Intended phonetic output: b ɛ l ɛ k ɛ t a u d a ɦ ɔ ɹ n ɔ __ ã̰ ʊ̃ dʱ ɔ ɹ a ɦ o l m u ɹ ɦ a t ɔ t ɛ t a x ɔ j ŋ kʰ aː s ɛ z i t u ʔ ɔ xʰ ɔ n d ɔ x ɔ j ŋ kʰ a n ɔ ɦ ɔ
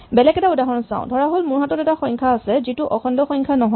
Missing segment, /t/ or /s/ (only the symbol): s